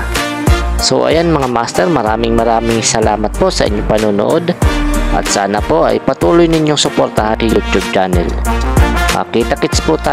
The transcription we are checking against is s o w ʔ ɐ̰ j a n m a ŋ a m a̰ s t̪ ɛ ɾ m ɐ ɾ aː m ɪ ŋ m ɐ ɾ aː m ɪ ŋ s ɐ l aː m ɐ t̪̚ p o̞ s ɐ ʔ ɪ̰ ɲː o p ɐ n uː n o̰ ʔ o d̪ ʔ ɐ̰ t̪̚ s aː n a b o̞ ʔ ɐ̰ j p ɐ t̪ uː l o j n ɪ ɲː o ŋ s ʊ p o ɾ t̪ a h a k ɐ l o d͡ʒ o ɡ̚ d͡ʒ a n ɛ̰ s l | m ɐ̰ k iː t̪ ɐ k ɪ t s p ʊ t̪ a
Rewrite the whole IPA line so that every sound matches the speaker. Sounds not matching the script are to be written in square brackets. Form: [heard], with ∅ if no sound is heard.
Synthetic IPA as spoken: s o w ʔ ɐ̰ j a n m [ɐ] ŋ a m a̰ s t̪ ɛ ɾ m ɐ ɾ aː m ɪ ŋ m ɐ ɾ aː m ɪ ŋ s ɐ l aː m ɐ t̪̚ p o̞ s ɐ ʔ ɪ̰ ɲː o p ɐ n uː n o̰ ʔ o d̪ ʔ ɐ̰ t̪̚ s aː n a [p] o̞ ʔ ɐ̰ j p ɐ t̪ uː l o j n ɪ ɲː o ŋ s ʊ p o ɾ t̪ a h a k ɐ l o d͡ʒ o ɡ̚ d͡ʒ a n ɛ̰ [∅] l | m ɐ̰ k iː t̪ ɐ k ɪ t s p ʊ t̪ a